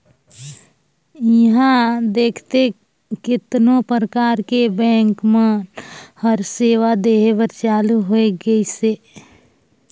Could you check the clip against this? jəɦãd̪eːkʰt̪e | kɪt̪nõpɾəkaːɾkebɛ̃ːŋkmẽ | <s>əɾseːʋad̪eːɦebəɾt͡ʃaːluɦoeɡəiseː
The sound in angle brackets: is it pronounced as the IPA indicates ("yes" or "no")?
no